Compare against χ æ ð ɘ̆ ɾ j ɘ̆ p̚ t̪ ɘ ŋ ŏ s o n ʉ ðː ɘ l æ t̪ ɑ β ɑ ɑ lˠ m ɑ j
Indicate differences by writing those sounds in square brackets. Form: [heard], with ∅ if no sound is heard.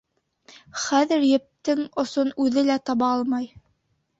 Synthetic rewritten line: χ æ ð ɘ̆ ɾ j ɘ̆ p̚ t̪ ɘ ŋ ŏ s o n ʉ [ð] ɘ l æ t̪ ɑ β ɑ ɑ lˠ m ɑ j